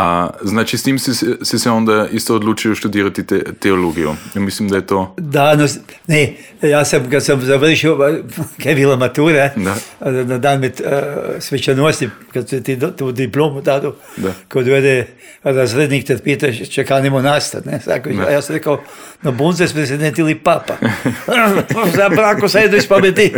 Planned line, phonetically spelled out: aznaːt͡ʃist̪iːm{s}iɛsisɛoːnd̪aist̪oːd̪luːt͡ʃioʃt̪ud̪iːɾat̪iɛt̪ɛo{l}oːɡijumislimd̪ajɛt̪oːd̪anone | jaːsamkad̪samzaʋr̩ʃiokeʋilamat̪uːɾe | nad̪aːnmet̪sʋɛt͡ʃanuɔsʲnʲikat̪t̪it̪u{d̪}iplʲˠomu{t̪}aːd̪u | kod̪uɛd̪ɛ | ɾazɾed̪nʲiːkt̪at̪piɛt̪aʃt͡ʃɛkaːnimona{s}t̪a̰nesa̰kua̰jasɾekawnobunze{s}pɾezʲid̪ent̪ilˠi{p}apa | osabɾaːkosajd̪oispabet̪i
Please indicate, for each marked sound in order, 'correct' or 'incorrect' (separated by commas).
correct, correct, correct, correct, correct, correct, correct